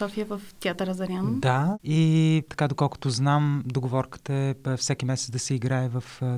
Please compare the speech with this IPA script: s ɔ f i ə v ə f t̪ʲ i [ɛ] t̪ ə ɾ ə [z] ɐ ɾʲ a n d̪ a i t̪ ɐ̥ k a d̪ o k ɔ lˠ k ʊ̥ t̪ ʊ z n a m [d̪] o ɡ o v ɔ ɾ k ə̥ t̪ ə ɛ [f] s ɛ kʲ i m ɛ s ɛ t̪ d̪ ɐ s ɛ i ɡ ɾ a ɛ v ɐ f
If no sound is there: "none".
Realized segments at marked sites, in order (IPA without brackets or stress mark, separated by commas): a, z, d̪, f